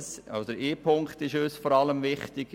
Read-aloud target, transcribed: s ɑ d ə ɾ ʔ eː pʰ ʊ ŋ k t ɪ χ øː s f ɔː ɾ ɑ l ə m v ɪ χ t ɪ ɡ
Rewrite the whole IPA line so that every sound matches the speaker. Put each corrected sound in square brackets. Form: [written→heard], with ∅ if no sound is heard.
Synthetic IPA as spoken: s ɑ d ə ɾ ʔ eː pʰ ʊ ŋ k t ɪ [χ→ʃ] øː s f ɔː ɾ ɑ l ə m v ɪ χ t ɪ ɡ